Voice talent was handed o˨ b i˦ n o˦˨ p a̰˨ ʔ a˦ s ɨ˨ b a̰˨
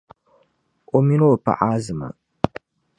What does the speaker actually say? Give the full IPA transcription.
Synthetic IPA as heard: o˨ m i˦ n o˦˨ p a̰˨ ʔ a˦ z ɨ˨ m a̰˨

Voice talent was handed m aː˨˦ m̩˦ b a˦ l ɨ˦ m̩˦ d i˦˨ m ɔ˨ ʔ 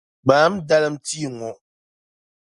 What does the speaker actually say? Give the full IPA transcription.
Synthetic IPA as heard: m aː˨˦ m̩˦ d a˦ l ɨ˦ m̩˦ t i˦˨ ŋ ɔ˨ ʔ

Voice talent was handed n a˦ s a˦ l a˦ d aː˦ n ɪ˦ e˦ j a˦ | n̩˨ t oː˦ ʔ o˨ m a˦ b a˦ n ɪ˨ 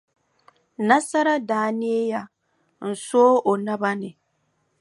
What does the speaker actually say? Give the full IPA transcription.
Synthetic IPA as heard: n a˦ s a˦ ɾ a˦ d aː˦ n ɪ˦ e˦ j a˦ | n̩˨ s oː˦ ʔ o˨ n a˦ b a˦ n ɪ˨

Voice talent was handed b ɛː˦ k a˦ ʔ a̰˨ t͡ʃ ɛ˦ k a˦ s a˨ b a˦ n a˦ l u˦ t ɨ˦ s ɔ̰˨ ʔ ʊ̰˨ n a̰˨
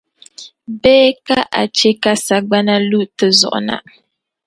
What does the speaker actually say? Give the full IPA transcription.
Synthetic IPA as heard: b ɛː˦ k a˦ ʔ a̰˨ t͡ʃ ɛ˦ k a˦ s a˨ ɡ͡b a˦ n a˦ l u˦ t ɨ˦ z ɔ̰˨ ʔ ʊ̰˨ n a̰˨

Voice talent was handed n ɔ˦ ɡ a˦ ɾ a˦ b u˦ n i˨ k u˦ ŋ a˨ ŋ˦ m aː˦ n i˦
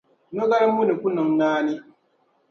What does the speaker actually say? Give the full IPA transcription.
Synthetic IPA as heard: n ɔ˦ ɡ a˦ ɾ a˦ m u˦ n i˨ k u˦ n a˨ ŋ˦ n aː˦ n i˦

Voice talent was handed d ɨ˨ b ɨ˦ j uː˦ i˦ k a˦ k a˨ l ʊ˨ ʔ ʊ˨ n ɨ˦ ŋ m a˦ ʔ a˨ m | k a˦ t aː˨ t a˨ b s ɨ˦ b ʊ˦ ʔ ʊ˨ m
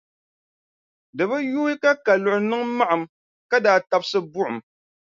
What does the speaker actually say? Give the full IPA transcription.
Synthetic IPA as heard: d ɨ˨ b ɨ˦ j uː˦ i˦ k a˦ k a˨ l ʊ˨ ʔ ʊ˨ n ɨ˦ ŋ m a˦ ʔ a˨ m | k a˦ d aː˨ t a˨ b s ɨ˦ b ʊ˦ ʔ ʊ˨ m

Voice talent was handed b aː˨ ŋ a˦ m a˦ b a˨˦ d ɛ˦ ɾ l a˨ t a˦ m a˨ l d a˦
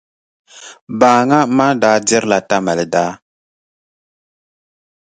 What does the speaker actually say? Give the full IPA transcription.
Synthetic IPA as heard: b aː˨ ŋ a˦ m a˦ d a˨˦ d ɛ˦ ɾ l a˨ t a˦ m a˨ l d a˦

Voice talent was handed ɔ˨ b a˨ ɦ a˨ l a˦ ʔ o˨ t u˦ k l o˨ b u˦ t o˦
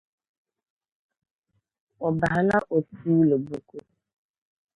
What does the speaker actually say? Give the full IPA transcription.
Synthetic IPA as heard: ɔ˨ b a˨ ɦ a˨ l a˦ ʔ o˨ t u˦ l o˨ b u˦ k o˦

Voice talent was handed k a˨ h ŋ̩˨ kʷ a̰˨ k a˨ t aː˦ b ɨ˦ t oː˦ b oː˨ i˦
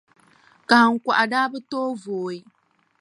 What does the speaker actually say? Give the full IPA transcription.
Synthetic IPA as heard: k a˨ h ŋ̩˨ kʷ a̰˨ ʔ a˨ d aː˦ b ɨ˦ t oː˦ v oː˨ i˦

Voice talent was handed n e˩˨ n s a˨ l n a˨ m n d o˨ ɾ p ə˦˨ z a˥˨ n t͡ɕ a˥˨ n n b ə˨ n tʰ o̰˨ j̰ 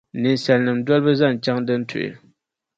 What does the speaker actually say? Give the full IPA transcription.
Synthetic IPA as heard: n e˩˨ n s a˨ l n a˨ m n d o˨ l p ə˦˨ z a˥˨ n t͡ɕ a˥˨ ŋ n d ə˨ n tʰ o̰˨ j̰

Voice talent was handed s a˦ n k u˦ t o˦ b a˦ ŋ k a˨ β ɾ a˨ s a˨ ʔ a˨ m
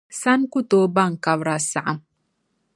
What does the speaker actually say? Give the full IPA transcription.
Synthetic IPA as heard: s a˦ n k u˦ t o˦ b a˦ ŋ k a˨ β ɾ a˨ s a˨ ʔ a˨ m

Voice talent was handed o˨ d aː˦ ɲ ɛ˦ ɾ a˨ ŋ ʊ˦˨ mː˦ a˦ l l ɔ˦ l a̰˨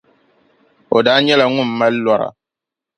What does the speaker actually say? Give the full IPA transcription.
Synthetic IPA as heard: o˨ d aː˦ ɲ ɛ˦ l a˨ ŋ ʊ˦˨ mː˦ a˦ l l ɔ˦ ɾ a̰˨

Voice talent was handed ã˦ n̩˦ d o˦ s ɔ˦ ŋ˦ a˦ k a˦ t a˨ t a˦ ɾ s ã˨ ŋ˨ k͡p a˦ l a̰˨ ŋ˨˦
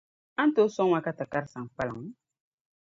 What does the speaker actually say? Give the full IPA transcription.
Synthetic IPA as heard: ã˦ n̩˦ t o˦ s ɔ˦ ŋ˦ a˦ k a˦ t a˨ k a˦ ɾ s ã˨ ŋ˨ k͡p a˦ l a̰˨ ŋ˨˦

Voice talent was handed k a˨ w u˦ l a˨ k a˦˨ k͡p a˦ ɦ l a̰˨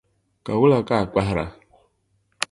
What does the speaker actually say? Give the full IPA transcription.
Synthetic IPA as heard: k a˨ w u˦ l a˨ k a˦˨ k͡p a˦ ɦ ɾ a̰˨

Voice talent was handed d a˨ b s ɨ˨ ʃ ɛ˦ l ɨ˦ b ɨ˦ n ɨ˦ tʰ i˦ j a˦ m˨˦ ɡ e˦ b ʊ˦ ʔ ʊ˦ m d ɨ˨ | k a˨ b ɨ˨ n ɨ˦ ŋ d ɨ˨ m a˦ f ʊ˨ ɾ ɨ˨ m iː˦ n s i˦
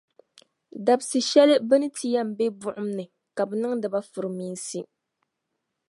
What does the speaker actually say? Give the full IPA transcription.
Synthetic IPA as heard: d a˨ b s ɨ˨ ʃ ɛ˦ l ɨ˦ b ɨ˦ n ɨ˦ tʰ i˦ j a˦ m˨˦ b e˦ b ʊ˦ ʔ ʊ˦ m n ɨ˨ | k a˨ b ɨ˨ n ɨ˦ ŋ d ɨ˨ b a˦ f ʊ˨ ɾ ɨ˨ m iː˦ n s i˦

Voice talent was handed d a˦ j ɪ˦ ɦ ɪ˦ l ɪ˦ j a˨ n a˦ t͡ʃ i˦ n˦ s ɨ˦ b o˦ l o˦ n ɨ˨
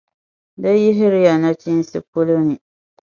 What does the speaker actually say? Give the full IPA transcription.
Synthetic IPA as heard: d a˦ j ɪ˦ ɦ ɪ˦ ɾ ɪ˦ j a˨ n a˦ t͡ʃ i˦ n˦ s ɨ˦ p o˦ l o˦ n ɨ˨

